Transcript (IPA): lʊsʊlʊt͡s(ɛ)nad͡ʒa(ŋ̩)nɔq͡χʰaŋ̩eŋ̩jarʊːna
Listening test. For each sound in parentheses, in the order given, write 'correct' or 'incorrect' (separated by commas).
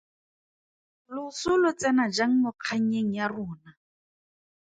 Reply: correct, correct